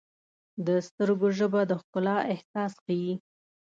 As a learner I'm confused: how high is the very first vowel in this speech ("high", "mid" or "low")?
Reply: mid